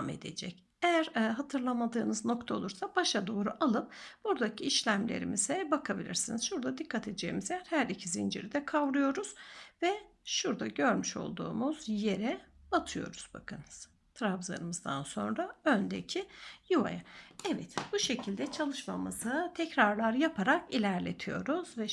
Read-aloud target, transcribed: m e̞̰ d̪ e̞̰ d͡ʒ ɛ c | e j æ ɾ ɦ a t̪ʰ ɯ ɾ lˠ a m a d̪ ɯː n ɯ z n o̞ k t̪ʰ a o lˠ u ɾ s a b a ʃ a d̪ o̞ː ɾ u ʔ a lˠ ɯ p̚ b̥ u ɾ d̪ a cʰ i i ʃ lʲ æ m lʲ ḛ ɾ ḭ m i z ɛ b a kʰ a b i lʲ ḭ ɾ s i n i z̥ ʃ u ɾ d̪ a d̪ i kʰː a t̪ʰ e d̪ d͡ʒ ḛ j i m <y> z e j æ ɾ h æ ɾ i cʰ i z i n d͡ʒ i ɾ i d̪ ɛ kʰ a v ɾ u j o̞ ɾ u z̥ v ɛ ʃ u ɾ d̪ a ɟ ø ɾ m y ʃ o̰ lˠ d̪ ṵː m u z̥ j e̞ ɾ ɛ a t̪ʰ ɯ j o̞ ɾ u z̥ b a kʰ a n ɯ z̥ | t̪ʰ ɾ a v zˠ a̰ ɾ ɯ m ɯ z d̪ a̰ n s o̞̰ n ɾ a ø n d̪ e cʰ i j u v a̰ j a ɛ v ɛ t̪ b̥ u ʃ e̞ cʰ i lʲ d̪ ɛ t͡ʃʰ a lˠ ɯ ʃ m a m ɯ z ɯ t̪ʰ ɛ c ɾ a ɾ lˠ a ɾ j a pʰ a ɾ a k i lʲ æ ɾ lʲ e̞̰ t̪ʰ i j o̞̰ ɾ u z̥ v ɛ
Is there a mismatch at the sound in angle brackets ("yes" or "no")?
yes